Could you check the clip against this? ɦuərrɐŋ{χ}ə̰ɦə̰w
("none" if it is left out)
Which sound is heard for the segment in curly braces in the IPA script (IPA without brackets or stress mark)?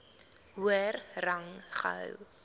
χ